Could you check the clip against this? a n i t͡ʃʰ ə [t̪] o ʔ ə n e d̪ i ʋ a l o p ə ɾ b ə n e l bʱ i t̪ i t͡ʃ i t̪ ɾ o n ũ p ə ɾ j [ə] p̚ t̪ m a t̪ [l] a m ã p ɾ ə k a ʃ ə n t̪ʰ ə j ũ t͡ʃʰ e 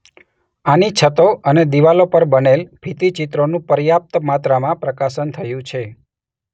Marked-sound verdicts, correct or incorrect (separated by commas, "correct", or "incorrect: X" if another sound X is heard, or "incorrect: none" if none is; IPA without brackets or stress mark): correct, incorrect: a, incorrect: ɾ